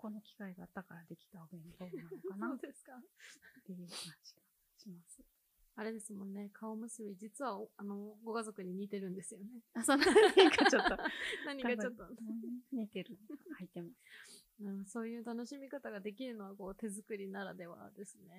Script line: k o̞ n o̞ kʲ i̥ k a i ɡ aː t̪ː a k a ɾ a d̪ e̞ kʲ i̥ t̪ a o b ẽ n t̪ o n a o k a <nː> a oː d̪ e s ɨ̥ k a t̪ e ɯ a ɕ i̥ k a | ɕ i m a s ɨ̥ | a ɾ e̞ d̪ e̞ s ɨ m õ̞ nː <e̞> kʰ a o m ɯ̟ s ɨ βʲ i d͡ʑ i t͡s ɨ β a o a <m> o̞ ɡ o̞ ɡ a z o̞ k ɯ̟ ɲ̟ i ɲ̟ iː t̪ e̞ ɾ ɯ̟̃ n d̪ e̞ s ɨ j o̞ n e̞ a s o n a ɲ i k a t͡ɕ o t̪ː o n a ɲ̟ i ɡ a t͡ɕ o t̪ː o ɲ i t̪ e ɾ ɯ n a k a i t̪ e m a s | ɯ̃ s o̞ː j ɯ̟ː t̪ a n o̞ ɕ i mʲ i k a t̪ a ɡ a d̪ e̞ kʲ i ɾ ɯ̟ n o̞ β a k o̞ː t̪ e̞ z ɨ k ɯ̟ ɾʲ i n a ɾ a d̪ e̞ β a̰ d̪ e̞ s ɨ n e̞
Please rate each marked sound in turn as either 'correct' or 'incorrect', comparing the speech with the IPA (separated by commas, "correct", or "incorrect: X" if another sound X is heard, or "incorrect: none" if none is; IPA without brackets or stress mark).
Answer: incorrect: n, correct, incorrect: n